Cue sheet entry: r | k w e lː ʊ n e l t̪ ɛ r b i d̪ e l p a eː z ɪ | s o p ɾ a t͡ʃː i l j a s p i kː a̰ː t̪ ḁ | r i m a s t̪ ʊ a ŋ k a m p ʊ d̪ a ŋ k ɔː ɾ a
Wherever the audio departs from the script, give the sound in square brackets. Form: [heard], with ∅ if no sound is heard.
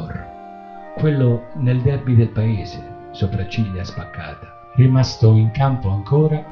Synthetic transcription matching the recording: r | k w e lː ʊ n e l [d̪] ɛ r b i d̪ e l p a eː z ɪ | s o p ɾ a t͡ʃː i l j a s p [a] kː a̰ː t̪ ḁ | r i m a s t̪ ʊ [i] ŋ k a m p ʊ [∅] a ŋ k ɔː ɾ a